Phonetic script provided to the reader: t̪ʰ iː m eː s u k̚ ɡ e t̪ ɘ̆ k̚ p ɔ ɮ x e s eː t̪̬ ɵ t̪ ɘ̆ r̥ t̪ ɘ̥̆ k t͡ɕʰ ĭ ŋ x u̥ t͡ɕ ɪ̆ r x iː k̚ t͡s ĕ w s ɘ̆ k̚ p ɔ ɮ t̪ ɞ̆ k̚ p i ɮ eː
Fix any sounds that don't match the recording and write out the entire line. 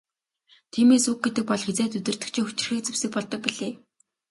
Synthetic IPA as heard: t̪ʰ iː m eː s u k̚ ɡ e t̪ ɘ̆ k̚ p ɔ ɮ x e t͡s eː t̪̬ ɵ t̪ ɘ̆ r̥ t̪ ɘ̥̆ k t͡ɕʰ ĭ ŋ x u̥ t͡ɕ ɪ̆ r x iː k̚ t͡s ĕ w s ɘ̆ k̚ p ɔ ɮ t̪ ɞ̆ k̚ p i ɮ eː